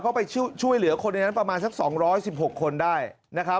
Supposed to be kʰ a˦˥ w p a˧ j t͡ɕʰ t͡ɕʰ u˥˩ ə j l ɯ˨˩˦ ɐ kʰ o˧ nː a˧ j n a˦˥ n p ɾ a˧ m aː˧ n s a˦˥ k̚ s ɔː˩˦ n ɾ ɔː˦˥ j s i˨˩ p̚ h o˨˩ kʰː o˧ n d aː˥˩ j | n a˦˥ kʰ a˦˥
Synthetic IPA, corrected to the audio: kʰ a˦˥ w p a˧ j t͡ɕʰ t͡ɕʰ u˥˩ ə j l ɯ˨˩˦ ɐ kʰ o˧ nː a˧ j n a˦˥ n p ɾ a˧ m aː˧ n s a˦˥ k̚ s ɔː˩˦ ŋ ɾ ɔː˦˥ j s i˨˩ p̚ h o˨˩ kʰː o˧ n d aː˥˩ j | n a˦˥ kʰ a˦˥